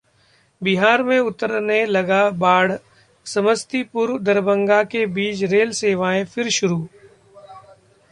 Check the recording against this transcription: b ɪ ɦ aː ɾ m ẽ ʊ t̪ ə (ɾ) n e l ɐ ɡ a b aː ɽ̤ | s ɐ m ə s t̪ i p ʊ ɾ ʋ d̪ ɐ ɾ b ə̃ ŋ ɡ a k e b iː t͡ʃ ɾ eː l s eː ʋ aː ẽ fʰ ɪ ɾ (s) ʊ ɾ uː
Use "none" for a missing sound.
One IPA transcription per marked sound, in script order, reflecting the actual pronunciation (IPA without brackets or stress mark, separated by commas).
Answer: ɾ, ʃ